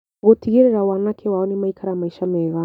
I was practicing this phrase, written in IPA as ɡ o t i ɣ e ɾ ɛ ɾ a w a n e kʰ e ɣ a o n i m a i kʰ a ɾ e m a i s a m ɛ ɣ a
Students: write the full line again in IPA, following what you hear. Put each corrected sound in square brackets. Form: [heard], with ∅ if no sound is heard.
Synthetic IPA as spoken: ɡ o t i ɣ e ɾ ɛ ɾ a w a n [a] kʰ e [w] a [ɔ] n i m a i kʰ a ɾ [a] m a i [ʃ] a m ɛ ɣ a